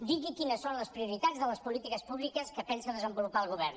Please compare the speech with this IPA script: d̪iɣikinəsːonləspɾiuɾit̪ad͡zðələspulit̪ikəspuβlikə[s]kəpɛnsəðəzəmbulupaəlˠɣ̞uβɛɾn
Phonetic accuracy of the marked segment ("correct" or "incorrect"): correct